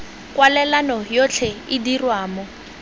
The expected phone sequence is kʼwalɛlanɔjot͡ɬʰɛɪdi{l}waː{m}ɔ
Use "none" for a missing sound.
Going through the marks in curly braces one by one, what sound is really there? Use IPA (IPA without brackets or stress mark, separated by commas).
r, m